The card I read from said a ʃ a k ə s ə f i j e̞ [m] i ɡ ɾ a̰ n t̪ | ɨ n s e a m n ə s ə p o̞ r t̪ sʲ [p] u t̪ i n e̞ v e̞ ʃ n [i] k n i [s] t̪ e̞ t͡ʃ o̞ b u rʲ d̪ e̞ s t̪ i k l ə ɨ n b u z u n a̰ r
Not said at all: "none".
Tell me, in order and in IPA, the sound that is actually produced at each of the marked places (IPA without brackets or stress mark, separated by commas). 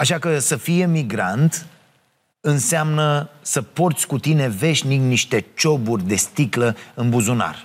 m, k, i, ʃ